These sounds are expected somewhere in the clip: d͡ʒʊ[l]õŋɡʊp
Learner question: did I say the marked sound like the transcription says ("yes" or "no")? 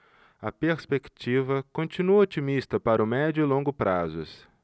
yes